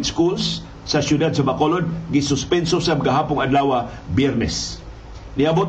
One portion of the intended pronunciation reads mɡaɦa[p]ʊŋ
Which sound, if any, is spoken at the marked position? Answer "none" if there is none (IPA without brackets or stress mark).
p